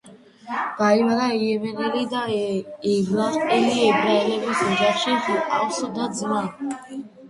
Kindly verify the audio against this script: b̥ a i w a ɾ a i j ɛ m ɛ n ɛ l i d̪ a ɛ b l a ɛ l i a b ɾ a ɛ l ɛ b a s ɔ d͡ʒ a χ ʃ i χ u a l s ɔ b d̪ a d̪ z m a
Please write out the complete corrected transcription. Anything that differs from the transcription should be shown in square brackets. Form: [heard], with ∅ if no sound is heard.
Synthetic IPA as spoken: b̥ a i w a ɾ a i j ɛ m ɛ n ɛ l i d̪ a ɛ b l a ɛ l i [ɛ] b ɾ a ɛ l ɛ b [i] s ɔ d͡ʒ a χ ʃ i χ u a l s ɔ [∅] d̪ a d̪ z m a